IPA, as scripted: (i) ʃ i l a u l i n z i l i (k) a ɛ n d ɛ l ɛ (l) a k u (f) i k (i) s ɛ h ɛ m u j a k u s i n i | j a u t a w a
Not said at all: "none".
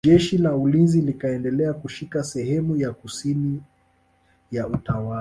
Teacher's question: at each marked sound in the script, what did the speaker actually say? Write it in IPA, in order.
ɛ, k, none, ʃ, a

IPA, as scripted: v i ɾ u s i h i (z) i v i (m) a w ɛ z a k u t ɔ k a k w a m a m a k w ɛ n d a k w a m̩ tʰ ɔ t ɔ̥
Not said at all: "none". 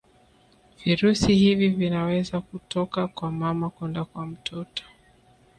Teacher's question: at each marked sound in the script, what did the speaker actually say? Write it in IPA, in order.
v, n

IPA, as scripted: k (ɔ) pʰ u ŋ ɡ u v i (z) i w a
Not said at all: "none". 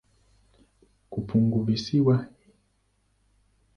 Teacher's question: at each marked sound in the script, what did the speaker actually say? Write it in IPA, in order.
u, s

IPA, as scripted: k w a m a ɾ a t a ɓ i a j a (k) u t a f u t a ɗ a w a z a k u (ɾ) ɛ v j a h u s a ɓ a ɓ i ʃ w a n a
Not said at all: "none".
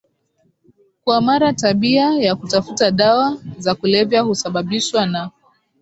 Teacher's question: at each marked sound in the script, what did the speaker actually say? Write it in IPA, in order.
k, l

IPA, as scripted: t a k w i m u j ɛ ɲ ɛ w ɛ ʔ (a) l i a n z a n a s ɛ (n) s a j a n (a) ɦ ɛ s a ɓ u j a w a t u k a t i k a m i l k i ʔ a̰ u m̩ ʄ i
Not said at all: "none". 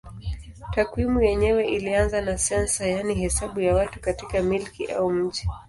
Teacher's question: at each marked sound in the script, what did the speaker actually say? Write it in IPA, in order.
i, n, i

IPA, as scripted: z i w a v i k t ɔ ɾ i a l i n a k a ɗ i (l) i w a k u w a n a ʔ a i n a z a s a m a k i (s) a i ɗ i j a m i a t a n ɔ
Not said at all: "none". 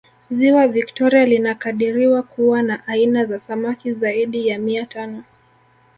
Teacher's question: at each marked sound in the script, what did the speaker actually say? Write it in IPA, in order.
ɾ, z

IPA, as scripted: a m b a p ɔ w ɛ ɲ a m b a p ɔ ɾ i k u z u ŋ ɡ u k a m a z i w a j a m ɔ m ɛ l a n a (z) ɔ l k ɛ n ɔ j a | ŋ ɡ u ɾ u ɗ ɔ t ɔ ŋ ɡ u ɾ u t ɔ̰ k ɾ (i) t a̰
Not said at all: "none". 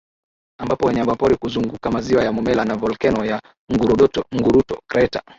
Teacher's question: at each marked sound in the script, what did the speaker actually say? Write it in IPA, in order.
v, ɛ

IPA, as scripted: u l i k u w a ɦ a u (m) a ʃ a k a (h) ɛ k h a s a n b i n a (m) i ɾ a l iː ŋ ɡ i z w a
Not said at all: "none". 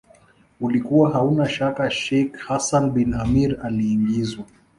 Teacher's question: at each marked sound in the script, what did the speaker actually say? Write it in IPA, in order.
n, ʃ, m

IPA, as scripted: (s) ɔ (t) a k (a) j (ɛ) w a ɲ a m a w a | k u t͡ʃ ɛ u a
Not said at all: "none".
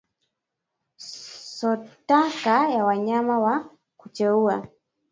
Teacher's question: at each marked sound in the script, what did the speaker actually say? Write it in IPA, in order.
s, t, a, a

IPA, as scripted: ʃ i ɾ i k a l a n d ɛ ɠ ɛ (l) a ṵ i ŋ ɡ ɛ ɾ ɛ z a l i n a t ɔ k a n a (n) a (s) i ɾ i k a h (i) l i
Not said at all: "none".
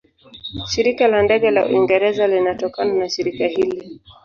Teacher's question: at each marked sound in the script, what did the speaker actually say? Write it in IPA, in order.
l, n, ʃ, i

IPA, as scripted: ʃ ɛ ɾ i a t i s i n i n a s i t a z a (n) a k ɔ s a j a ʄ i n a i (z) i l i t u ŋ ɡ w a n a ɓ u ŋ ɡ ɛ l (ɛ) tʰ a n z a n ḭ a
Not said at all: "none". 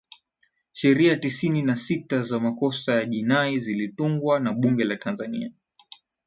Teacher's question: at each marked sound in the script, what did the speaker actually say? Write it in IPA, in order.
m, z, a

